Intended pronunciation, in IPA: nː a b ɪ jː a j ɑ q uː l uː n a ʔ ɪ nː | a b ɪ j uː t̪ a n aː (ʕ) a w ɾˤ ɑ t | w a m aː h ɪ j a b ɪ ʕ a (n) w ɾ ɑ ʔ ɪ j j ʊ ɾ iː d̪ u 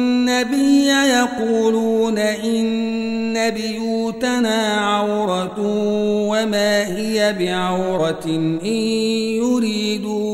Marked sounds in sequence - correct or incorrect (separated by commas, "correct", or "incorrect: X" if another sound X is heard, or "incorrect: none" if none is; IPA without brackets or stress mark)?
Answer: correct, incorrect: none